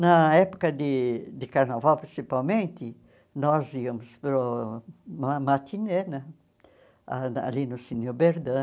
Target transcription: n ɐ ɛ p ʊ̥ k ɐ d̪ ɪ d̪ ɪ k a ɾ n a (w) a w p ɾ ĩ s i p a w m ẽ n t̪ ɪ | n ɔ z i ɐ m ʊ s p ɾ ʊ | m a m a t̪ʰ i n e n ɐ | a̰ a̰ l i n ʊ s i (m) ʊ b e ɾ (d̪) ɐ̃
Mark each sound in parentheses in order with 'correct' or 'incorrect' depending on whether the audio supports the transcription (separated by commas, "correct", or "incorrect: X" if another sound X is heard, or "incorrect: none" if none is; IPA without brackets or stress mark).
incorrect: v, incorrect: n, correct